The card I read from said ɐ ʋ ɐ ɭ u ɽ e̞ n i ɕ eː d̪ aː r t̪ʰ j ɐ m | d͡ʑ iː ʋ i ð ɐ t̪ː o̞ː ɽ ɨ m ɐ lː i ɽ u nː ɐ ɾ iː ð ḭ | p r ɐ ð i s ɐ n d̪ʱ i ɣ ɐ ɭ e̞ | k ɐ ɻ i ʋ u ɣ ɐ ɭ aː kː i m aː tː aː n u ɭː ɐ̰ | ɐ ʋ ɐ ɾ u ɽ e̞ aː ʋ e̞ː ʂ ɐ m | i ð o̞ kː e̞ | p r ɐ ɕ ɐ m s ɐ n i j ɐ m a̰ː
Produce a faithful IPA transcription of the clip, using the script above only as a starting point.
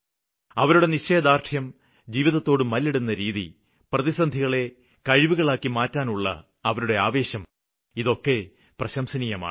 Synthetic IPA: ɐ ʋ ɐ ɾ u ɽ e̞ n i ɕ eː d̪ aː r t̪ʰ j ɐ m | d͡ʑ iː ʋ i ð ɐ t̪ː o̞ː ɽ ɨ m ɐ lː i ɽ u nː ɐ ɾ iː ð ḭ | p r ɐ ð i s ɐ n d̪ʱ i ɣ ɐ ɭ e̞ | k ɐ ɻ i ʋ u ɣ ɐ ɭ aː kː i m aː tː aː n u ɭː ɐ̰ | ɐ ʋ ɐ ɾ u ɽ e̞ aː ʋ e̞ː ɕ ɐ m | i ð o̞ kː e̞ | p r ɐ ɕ ɐ m s ɐ n i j ɐ m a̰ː